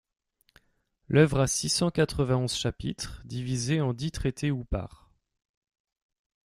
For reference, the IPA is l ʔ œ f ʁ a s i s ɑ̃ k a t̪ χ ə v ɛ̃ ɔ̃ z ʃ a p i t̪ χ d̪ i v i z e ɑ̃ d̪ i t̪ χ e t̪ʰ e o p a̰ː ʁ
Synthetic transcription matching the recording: l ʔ œ v ʁ a s i s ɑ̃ k a t̪ χ ə v ɛ̃ ɔ̃ z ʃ a p i t̪ χ d̪ i v i z e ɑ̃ d̪ i t̪ χ e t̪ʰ e u p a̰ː ʁ